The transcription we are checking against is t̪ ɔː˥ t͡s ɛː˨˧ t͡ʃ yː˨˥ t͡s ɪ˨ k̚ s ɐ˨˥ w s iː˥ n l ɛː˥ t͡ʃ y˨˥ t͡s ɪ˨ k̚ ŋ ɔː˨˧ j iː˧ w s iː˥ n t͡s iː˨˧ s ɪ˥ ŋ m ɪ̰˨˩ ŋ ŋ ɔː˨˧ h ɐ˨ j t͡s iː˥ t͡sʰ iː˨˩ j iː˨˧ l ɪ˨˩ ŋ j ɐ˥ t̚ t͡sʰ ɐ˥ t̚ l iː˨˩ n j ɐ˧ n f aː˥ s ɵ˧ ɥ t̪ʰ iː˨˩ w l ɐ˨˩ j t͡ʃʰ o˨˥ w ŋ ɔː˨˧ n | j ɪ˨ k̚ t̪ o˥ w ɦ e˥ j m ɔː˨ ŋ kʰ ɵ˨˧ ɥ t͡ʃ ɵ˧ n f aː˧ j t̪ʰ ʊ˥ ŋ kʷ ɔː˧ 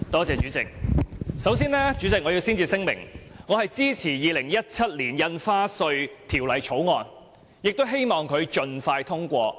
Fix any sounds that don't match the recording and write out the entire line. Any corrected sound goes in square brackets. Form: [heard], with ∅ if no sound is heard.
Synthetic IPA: t̪ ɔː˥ t͡s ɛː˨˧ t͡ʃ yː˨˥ t͡s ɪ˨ k̚ s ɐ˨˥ w s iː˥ n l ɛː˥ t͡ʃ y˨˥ t͡s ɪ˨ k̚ ŋ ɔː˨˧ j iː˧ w s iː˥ n t͡s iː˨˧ s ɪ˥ ŋ m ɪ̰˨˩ ŋ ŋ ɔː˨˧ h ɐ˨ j t͡s iː˥ t͡sʰ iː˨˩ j iː˨˧ l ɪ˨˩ ŋ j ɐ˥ t̚ t͡sʰ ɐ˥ t̚ l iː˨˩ n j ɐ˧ n f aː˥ s ɵ˧ ɥ t̪ʰ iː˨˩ w l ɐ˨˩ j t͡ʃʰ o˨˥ w ŋ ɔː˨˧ n | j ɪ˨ k̚ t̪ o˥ w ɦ e˥ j m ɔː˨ ŋ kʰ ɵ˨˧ ɥ t͡ʃ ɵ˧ n f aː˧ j t̪ʰ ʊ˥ ŋ kʷ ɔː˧